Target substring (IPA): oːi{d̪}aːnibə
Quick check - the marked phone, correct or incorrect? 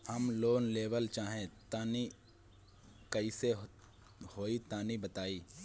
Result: incorrect